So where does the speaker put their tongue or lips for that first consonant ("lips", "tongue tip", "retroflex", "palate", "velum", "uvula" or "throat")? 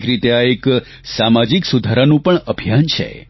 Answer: velum